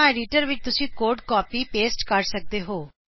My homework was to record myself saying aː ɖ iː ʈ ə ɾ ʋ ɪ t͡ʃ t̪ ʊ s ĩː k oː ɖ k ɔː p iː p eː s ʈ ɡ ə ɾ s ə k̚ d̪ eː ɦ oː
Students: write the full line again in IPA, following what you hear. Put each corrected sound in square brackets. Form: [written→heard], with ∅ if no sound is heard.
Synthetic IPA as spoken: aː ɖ iː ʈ ə ɾ ʋ ɪ t͡ʃ t̪ ʊ s ĩː k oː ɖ k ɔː p iː p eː s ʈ [ɡ→k] ə ɾ s ə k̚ d̪ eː ɦ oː